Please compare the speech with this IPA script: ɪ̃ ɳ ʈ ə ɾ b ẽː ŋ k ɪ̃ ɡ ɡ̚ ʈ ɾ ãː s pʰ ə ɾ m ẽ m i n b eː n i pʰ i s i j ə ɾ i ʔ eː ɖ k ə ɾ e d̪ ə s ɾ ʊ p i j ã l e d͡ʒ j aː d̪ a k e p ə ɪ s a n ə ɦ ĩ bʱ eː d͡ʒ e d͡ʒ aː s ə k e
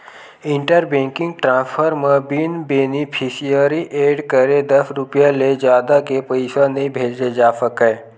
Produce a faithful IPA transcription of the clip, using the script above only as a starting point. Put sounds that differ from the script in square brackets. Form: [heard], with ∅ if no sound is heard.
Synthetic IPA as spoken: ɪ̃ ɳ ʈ ə ɾ b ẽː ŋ k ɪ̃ [ŋ] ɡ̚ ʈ ɾ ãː s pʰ ə ɾ m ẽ [b] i n b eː n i pʰ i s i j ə ɾ i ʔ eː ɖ k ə ɾ e d̪ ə s ɾ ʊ p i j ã l e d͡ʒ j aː d̪ a k e p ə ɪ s a n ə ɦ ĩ bʱ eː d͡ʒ e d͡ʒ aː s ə k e